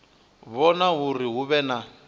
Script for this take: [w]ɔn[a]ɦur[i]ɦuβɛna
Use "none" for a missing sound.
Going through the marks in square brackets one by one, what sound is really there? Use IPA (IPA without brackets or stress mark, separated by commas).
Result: β, a, i